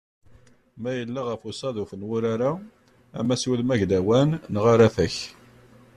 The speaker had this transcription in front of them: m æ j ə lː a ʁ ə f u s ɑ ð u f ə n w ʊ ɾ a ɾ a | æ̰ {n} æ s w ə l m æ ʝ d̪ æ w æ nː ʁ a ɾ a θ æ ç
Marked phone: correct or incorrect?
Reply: incorrect: m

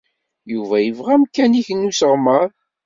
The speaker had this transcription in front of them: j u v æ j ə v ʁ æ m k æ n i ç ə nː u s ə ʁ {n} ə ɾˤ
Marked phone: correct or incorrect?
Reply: incorrect: m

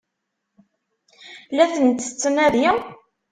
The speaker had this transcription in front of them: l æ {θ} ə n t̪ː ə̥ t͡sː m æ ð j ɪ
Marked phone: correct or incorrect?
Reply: correct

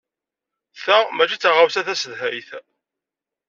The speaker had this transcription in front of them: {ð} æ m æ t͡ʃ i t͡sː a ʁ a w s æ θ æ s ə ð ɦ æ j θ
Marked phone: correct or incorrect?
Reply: incorrect: θ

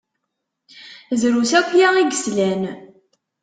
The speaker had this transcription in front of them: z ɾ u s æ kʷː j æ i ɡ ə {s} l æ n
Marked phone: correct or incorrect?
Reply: correct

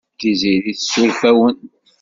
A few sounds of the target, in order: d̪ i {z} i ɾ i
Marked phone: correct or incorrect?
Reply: correct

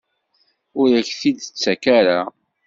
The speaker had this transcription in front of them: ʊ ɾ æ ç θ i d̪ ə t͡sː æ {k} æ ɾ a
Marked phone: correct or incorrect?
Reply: correct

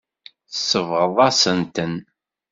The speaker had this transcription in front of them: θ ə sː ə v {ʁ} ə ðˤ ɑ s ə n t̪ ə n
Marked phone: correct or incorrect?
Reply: correct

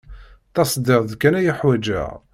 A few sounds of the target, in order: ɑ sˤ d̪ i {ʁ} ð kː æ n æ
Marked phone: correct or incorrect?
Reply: correct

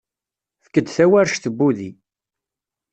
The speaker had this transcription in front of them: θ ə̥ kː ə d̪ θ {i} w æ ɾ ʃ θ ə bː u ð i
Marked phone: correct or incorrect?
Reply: incorrect: æ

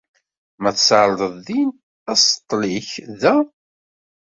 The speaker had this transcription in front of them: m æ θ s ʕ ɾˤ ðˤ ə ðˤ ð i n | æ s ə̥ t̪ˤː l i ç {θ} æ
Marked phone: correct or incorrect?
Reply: incorrect: ð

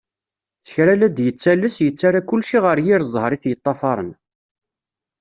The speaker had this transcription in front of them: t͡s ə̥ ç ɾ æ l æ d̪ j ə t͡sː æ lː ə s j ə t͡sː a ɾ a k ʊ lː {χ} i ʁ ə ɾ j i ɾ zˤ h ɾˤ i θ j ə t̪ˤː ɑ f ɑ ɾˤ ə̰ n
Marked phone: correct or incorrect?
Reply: incorrect: ʃ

